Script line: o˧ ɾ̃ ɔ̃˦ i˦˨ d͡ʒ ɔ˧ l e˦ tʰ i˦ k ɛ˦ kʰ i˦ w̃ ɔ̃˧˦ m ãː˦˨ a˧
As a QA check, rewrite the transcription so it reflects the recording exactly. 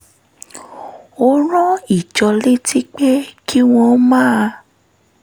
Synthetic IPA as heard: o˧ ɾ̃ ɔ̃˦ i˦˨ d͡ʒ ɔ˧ l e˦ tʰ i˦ k͡p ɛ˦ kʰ i˦ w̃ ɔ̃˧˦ m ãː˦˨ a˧